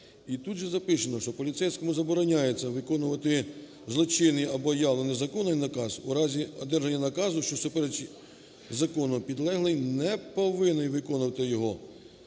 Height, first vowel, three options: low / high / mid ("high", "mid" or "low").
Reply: high